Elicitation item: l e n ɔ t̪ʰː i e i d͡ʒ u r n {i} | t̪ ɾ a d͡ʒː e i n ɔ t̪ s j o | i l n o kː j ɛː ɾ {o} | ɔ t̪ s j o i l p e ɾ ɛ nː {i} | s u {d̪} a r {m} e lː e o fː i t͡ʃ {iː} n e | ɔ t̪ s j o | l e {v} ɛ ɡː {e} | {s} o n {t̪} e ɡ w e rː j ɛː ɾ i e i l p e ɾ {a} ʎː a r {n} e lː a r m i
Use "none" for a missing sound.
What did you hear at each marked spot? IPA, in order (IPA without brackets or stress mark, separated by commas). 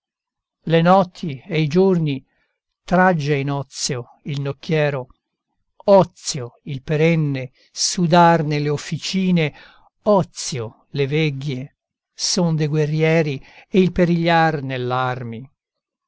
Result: i, o, e, d̪, n, iː, v, e, s, d̪, i, n